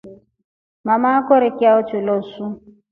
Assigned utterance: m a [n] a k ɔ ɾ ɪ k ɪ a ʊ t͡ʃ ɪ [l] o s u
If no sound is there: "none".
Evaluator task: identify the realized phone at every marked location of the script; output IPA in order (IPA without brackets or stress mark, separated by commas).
m, l